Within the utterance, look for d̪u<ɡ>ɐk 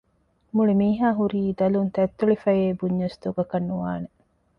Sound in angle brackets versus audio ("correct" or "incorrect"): correct